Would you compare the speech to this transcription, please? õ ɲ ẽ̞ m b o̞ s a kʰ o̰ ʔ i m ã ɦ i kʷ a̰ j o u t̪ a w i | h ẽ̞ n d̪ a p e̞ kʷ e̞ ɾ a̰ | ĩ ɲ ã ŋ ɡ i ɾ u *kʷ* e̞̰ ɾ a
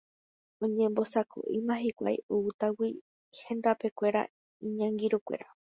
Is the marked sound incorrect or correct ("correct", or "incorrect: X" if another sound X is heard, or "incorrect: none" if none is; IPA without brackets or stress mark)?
correct